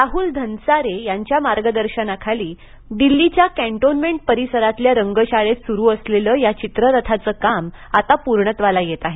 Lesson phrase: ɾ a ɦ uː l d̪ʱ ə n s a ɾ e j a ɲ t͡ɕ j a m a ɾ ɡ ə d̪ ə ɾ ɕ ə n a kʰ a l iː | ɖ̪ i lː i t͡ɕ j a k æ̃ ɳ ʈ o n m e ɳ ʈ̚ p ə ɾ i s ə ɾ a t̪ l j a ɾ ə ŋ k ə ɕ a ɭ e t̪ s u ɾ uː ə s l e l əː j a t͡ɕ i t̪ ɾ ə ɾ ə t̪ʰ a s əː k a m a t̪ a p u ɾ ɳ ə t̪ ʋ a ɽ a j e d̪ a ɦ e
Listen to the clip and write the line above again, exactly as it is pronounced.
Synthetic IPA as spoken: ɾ a ɦ uː l d̪ʱ ə n s a ɾ e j a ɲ t͡ɕ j a m a ɾ ɡ ə d̪ ə ɾ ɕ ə n a kʰ a l iː | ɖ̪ i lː i t͡ɕ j a k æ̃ ɳ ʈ o n m e ɳ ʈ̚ p ə ɾ i s ə ɾ a t̪ l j a ɾ ə ŋ ɡ ə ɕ a ɭ e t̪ s u ɾ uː ə s l e l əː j a t͡ɕ i t̪ ɾ ə ɾ ə t̪ʰ a t͡s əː k a m a t̪ a p u ɾ ɳ ə t̪ ʋ a l a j e t̪ a ɦ e